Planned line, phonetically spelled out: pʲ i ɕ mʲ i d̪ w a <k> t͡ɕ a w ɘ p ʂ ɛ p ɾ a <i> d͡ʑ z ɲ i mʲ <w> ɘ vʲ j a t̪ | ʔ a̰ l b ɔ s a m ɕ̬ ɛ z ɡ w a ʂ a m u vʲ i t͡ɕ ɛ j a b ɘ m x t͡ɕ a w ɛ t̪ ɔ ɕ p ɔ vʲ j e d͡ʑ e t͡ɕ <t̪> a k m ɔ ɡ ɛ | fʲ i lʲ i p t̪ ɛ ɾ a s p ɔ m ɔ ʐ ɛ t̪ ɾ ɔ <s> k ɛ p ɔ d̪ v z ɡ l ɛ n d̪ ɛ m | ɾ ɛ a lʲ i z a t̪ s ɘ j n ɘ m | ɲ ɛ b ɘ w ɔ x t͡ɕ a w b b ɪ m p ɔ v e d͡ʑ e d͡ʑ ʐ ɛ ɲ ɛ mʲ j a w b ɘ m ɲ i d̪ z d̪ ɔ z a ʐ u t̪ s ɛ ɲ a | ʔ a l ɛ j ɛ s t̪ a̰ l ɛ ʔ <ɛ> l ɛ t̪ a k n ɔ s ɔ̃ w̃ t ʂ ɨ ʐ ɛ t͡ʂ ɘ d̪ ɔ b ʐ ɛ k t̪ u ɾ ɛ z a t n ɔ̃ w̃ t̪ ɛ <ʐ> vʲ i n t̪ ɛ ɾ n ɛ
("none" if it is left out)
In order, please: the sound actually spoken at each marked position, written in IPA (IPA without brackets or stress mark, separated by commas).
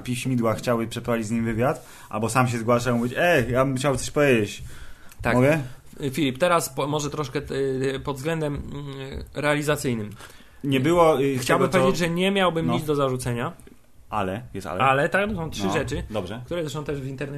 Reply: x, i, v, t̪, ʂ, a, ʐ